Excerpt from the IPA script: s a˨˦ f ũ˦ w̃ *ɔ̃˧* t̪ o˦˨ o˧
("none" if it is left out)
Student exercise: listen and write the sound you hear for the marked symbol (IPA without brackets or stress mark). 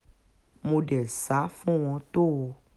ɔ̃˧